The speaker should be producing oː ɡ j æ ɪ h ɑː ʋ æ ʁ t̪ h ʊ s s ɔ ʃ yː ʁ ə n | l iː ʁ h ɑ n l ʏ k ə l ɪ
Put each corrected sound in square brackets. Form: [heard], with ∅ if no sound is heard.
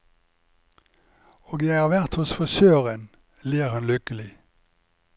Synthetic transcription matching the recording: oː ɡ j æ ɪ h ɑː ʋ æ ʁ t̪ h ʊ s [f] ɔ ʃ [øː] ʁ ə n | l iː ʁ h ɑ n l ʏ k ə l ɪ

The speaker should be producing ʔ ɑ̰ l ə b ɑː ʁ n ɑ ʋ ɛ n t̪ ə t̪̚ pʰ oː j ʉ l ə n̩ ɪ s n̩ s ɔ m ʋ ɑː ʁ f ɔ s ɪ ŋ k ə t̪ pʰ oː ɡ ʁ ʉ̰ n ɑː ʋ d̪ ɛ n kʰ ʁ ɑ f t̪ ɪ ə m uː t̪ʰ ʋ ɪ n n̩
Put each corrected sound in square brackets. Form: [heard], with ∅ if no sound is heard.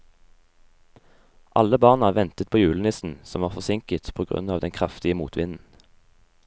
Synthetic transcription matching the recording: ʔ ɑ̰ l ə b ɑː ʁ n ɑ ʋ ɛ n t̪ ə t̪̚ pʰ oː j [ʉː] l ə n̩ ɪ s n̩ s ɔ m ʋ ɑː ʁ f ɔ s ɪ ŋ k ə t̪ pʰ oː ɡ ʁ ʉ̰ n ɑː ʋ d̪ ɛ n kʰ ʁ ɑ f t̪ ɪ ə m uː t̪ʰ ʋ ɪ n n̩

